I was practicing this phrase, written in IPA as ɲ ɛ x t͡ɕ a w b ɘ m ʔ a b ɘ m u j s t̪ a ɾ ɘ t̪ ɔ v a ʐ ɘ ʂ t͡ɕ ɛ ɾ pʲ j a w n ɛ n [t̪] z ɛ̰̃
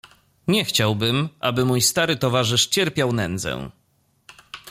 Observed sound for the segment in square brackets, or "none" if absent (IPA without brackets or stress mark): d̪